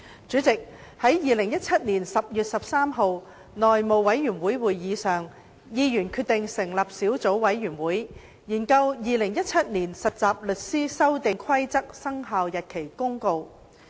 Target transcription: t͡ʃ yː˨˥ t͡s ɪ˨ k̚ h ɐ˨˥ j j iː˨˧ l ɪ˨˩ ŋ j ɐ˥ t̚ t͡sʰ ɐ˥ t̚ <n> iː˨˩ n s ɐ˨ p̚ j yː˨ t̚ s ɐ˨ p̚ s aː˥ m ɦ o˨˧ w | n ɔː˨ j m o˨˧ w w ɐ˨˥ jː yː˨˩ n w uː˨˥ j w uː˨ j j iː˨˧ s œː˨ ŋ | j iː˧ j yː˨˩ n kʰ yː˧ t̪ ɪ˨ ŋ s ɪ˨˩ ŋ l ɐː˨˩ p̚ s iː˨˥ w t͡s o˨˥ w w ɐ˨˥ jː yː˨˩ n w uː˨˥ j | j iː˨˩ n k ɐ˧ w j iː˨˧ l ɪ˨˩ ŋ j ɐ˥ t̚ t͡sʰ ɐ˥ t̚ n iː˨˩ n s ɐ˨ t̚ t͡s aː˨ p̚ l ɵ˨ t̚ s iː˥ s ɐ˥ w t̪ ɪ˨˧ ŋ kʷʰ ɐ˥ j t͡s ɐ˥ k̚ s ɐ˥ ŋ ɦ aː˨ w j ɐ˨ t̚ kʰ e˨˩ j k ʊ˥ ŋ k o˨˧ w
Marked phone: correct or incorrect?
correct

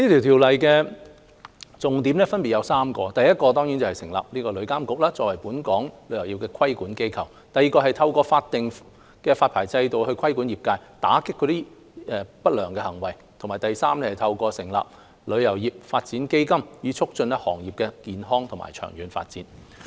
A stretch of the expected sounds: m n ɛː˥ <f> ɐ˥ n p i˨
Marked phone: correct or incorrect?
correct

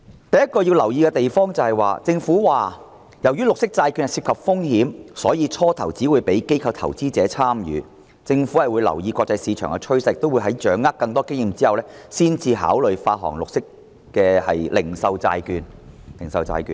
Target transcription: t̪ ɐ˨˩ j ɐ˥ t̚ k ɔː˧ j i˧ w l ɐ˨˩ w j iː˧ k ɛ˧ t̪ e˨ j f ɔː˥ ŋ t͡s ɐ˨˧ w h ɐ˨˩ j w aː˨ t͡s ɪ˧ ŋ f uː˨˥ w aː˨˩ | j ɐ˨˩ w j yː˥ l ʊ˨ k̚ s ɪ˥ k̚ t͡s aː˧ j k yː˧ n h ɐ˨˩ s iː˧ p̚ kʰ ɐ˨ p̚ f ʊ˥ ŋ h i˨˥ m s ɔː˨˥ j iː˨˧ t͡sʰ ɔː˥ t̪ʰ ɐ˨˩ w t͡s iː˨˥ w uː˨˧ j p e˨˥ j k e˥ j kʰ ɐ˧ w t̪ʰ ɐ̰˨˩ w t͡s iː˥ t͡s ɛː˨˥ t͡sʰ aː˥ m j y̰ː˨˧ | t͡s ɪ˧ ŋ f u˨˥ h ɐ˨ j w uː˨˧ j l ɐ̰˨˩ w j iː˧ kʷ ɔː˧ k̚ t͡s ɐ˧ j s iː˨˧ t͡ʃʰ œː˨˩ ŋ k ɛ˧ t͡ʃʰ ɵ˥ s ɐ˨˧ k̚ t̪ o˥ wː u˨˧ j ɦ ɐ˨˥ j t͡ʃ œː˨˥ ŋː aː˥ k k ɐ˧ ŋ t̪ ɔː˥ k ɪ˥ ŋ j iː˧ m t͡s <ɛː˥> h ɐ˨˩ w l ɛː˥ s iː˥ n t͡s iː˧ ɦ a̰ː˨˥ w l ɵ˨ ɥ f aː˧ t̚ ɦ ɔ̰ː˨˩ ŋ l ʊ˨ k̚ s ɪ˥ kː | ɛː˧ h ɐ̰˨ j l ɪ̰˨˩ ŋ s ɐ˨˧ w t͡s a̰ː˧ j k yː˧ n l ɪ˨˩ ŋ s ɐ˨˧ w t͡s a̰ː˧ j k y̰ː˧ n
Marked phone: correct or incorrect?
incorrect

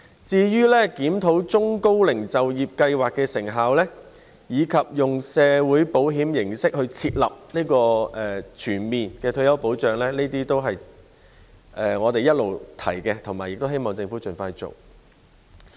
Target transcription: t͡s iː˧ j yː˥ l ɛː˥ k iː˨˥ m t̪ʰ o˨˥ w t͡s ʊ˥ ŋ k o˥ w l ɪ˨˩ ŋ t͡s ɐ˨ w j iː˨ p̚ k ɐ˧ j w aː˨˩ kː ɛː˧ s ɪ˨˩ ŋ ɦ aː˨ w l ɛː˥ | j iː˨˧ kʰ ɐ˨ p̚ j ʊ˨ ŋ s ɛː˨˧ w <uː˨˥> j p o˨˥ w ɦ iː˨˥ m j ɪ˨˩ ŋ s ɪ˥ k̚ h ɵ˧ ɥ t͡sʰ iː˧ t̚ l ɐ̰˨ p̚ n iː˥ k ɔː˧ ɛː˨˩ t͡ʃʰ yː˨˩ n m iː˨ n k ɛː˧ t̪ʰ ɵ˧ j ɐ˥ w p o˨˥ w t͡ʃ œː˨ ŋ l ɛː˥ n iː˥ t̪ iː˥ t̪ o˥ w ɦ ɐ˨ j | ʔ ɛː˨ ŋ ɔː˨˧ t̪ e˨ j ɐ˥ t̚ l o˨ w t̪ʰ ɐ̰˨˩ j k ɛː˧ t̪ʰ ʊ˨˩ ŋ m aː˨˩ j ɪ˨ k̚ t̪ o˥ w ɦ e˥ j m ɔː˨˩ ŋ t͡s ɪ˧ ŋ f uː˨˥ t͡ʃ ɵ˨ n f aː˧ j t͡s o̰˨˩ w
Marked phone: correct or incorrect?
correct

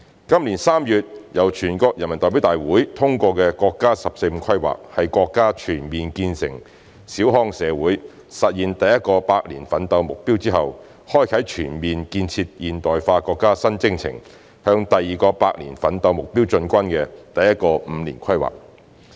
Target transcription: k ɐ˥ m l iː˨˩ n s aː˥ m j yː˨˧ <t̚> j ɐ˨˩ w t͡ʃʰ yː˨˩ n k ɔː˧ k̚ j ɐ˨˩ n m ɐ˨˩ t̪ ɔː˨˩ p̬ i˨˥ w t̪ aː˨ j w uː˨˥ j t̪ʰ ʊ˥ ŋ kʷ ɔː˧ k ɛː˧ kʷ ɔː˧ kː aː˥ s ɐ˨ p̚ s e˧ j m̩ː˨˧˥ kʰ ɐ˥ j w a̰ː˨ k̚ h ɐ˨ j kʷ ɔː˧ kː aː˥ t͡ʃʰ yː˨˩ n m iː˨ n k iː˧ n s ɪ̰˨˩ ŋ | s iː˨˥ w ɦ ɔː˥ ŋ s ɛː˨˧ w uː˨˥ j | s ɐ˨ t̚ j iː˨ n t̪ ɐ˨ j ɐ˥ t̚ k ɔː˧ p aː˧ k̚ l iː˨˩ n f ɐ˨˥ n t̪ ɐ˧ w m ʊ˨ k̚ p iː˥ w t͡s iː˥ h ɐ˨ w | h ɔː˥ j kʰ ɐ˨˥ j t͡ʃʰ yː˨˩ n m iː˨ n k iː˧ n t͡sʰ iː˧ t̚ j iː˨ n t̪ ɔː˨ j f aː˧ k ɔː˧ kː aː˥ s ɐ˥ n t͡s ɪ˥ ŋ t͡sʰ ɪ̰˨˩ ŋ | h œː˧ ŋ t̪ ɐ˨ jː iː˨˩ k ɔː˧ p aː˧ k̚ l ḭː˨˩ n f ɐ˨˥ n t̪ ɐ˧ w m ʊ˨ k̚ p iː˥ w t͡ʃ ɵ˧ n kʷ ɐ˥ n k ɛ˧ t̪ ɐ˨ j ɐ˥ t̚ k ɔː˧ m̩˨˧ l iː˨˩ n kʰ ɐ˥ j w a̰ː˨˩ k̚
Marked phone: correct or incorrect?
correct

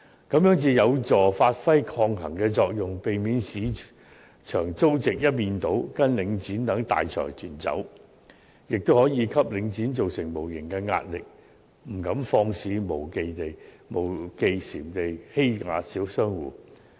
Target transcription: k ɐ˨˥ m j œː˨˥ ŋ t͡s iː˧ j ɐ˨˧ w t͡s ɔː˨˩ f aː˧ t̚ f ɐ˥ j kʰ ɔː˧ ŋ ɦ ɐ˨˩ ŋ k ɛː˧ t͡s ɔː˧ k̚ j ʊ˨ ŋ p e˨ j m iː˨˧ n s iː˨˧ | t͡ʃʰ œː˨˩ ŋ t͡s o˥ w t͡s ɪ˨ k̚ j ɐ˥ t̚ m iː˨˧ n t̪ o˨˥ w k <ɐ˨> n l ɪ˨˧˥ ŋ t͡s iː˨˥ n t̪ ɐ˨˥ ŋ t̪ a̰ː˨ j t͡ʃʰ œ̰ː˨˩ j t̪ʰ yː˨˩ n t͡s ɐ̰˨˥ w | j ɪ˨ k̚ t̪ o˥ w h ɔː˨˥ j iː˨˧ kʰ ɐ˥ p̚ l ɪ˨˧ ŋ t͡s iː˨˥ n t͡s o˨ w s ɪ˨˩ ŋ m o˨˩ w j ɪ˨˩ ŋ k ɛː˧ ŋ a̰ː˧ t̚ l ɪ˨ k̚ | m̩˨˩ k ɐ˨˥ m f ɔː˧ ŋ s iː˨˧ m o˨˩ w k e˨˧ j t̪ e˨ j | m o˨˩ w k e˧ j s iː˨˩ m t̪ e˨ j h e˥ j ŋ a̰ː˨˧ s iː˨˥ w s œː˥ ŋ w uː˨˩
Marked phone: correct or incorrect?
incorrect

